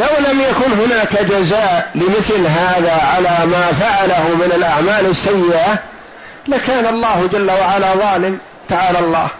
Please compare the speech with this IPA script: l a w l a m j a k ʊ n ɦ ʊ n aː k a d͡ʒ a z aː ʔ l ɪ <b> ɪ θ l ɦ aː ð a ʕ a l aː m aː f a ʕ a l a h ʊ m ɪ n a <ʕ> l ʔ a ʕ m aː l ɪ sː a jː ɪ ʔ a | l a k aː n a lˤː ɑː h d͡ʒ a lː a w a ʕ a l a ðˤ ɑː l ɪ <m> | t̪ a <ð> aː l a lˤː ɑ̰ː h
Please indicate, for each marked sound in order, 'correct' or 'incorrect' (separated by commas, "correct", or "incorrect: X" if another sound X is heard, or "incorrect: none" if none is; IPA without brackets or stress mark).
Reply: incorrect: m, incorrect: none, correct, incorrect: ʕ